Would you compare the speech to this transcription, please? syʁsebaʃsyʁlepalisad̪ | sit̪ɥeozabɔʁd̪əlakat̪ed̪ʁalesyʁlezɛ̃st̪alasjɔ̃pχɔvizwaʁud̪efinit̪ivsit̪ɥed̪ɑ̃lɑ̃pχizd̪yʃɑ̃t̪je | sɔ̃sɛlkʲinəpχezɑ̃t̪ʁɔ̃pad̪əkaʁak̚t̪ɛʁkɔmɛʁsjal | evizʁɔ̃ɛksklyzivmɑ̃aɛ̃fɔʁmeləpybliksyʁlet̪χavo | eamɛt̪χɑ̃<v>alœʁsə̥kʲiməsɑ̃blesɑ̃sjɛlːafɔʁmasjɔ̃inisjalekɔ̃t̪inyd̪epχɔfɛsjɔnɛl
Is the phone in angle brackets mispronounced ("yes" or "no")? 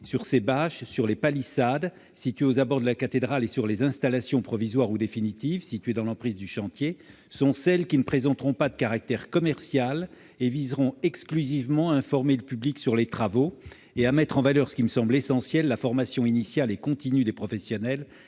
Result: no